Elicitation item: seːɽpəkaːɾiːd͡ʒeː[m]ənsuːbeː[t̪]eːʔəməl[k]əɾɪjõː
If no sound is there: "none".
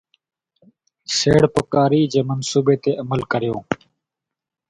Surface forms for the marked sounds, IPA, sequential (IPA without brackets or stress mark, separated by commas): m, t̪, k